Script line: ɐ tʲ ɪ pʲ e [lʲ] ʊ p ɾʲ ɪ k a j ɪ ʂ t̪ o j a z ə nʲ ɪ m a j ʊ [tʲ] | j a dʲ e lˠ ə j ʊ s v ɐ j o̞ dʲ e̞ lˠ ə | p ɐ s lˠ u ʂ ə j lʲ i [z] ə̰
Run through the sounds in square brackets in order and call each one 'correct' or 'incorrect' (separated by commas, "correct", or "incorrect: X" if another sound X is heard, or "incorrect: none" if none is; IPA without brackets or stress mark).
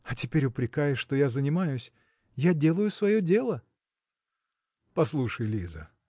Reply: incorrect: ɾʲ, incorrect: sʲ, correct